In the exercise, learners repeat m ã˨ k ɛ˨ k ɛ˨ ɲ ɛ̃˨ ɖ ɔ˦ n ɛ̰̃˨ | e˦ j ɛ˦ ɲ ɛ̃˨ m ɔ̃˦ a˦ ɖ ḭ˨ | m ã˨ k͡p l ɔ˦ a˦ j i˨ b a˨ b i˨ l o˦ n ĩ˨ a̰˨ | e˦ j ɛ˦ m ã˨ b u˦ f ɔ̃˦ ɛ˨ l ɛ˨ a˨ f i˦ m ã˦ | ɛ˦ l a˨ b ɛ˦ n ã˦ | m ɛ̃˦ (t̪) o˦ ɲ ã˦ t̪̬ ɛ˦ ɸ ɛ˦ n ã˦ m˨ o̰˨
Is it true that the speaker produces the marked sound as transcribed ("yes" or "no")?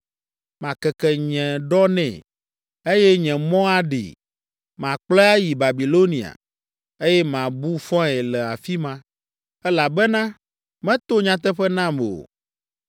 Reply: yes